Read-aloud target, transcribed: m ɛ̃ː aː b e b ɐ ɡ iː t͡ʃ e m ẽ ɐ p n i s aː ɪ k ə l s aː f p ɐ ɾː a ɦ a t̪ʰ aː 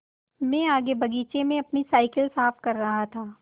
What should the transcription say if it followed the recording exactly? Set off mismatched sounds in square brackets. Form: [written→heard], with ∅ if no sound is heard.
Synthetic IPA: m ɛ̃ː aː [b→ɡ] e b ɐ ɡ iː t͡ʃ e m ẽ ɐ p n i s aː ɪ k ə l s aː f [p→k] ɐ ɾː [a→ɐ] ɦ a t̪ʰ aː